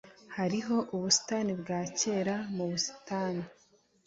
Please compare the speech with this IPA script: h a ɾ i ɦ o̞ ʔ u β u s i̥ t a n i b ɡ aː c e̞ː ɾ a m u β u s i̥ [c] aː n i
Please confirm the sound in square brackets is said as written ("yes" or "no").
no